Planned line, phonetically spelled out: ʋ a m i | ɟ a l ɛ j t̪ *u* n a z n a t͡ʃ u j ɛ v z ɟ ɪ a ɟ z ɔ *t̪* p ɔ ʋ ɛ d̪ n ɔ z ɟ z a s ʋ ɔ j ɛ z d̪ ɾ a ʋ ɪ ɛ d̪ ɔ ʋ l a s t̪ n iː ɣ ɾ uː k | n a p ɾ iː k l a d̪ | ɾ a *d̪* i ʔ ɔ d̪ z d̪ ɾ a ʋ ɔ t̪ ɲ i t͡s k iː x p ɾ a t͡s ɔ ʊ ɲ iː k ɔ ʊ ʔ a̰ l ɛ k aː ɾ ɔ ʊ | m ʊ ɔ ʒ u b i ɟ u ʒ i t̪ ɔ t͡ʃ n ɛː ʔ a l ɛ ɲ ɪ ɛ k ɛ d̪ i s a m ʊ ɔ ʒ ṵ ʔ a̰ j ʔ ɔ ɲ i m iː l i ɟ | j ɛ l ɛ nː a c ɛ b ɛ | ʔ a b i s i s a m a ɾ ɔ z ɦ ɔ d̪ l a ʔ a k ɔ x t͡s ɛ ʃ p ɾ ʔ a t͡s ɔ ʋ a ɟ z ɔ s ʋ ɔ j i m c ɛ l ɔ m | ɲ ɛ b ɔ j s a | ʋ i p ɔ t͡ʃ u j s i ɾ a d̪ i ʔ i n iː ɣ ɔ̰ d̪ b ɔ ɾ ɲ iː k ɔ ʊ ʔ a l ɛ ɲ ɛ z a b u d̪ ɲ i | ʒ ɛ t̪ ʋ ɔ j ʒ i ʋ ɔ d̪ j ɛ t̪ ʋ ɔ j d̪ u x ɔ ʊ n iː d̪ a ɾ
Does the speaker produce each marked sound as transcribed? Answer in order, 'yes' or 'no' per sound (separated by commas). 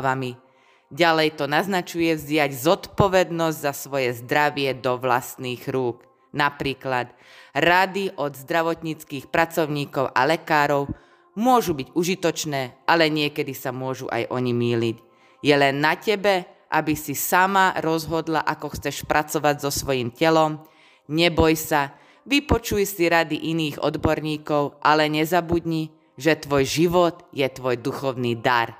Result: no, yes, yes